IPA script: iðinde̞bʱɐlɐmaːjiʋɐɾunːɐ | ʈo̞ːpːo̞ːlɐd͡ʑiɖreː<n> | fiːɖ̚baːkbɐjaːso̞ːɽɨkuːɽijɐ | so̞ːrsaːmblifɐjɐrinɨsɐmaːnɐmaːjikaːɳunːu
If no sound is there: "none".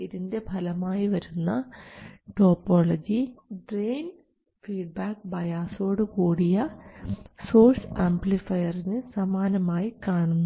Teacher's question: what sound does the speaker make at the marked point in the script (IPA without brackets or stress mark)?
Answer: n